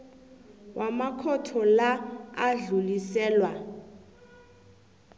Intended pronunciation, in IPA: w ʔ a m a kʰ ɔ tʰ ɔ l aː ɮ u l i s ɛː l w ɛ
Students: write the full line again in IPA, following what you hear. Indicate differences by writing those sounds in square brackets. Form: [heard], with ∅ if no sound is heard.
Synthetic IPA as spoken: w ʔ a m a kʰ ɔ tʰ ɔ l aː ɮ u l i s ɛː l w [a]